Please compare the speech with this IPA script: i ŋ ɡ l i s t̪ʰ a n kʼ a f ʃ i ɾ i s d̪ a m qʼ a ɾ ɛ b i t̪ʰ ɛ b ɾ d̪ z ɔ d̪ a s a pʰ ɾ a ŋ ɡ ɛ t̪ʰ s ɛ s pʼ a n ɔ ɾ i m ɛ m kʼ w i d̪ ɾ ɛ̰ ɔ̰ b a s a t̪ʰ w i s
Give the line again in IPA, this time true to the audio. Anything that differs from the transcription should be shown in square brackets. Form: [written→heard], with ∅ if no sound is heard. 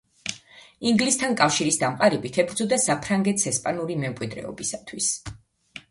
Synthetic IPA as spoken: i ŋ ɡ l i s t̪ʰ a n kʼ a f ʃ i ɾ i s d̪ a m qʼ a ɾ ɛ b i t̪ʰ ɛ b ɾ d̪ z ɔ d̪ a s a pʰ ɾ a ŋ ɡ ɛ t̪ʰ s ɛ s pʼ a n [ɔ→u] ɾ i m ɛ m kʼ w i d̪ ɾ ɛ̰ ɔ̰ b [a→i] s a t̪ʰ w i s